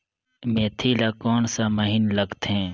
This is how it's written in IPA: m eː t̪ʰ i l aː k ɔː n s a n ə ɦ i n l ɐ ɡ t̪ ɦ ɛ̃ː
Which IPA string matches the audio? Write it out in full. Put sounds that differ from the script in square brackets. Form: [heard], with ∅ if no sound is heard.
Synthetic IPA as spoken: m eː t̪ʰ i l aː k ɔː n s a [m] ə ɦ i n l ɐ ɡ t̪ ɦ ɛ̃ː